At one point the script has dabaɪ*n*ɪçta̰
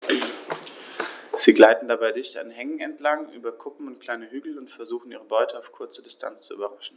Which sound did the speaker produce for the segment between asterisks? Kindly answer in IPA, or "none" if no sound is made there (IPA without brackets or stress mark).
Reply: d